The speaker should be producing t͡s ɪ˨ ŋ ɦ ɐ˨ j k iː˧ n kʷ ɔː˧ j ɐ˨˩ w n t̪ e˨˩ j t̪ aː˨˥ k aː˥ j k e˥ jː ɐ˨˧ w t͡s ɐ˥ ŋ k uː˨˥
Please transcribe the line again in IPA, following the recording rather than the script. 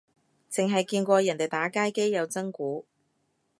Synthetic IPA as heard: t͡s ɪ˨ ŋ ɦ ɐ˨ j k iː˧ n kʷ ɔː˧ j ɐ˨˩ n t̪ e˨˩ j t̪ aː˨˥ k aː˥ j k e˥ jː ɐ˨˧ w t͡s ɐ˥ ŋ k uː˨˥